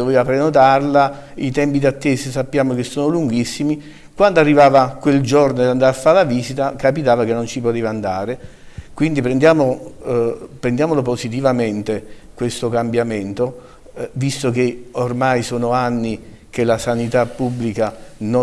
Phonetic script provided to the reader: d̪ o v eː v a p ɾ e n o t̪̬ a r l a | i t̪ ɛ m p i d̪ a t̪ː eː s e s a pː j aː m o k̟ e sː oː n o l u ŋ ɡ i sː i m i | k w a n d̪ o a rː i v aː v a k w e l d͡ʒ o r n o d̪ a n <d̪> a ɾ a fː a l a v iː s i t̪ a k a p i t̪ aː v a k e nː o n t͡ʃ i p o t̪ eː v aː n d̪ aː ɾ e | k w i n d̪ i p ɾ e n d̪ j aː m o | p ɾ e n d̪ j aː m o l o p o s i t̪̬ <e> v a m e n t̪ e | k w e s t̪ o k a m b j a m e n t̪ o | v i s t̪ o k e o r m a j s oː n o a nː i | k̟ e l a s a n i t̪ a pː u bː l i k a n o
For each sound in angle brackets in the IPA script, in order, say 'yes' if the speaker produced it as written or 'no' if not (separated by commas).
yes, no